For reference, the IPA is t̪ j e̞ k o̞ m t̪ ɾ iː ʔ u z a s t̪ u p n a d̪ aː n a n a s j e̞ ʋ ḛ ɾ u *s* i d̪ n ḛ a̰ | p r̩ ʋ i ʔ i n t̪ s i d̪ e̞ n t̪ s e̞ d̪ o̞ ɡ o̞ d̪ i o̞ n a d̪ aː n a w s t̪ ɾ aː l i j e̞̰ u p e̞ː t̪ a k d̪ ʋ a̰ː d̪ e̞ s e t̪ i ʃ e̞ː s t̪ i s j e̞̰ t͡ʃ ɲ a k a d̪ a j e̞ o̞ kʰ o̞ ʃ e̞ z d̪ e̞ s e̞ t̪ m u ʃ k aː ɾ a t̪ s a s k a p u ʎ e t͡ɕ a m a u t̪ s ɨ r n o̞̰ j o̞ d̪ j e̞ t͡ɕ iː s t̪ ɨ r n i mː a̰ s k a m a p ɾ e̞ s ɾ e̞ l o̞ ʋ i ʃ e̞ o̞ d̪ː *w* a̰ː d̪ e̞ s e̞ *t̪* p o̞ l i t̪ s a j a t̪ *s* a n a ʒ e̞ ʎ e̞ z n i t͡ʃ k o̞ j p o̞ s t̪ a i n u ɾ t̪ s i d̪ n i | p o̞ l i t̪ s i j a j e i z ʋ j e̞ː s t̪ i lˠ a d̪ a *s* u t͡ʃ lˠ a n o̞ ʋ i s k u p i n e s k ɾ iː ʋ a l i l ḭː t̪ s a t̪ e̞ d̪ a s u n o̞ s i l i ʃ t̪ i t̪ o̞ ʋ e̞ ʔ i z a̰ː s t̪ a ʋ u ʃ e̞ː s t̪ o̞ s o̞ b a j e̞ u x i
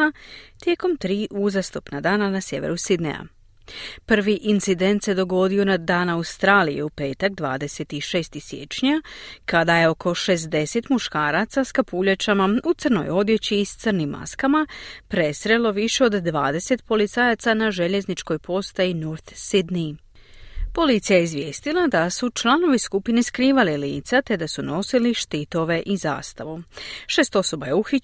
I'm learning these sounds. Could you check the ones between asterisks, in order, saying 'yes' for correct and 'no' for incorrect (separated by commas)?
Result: yes, no, yes, yes, yes